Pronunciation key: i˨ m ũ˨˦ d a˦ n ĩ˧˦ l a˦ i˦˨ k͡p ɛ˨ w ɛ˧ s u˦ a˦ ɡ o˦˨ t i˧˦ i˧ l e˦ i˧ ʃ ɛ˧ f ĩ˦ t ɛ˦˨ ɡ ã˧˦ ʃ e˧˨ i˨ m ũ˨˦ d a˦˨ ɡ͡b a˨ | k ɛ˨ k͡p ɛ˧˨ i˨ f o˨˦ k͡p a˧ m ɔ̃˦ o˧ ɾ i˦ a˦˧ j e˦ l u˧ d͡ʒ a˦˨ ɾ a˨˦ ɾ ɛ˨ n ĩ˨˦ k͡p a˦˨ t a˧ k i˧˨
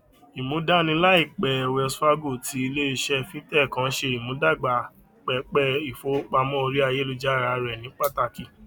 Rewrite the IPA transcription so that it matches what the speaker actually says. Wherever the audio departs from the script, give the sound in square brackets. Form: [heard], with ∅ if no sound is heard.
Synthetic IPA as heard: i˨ m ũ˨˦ d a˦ n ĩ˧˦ l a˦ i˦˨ k͡p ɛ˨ w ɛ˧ s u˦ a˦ ɡ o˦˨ t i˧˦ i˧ l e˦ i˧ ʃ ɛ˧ f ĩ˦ t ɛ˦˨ [k] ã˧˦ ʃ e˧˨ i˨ m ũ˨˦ d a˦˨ ɡ͡b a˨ | [k͡p] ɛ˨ k͡p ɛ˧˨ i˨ f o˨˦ k͡p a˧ m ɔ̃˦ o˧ ɾ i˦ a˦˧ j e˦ l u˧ d͡ʒ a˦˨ ɾ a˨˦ ɾ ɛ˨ n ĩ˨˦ k͡p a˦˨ t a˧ k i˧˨